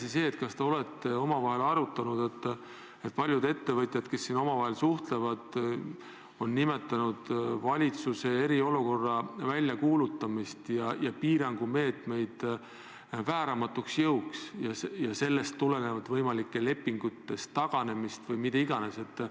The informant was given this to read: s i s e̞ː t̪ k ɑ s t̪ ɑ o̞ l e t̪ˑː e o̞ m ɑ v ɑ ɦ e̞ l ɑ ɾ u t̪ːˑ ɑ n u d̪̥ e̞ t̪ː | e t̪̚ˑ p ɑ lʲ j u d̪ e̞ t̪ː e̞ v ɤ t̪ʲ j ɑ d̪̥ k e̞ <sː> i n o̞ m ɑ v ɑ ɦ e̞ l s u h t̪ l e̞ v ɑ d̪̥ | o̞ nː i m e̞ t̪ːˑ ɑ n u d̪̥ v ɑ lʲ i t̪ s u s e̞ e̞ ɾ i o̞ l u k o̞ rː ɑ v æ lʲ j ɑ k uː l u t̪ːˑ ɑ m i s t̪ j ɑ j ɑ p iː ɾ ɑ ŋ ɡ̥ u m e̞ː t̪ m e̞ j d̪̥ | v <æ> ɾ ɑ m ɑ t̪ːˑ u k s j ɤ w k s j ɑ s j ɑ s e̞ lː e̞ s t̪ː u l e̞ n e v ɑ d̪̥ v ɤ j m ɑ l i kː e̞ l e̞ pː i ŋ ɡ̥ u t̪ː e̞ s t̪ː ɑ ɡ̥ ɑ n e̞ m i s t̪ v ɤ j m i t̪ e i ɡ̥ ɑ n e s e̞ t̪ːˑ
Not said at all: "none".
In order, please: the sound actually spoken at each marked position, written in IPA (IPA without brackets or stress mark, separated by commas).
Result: sː, æː